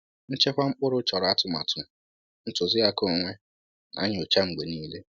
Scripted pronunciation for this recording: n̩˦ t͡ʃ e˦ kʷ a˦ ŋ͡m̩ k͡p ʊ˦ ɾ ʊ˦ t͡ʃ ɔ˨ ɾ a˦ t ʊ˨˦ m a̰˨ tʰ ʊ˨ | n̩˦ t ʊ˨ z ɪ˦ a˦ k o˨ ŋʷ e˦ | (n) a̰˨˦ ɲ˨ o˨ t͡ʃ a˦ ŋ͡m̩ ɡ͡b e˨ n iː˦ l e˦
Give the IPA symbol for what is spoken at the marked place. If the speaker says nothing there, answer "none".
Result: n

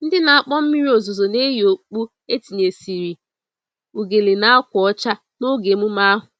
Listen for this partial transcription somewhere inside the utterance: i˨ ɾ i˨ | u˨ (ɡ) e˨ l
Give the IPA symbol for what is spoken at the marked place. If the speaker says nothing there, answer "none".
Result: ɡ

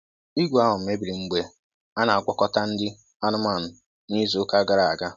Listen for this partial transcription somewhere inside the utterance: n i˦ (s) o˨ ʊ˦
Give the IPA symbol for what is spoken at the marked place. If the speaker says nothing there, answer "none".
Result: z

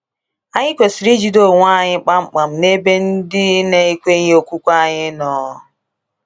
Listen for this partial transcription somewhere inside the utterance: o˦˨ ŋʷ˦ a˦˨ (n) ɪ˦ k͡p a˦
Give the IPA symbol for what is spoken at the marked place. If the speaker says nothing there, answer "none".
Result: ɲ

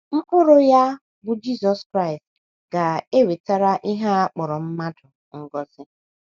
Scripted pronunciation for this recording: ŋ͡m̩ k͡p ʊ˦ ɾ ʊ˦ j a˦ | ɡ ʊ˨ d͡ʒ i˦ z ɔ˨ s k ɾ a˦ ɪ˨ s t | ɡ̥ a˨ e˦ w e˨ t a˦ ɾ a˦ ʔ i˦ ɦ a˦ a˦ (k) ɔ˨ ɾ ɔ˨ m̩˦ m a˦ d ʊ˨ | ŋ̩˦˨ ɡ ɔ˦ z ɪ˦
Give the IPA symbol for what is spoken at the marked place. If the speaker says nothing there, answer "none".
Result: k͡p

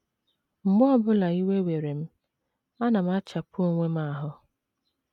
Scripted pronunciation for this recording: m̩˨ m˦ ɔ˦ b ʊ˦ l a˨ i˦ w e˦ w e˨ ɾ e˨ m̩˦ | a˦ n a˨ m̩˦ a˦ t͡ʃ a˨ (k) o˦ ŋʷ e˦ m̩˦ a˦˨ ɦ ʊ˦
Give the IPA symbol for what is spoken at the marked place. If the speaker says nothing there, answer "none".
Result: p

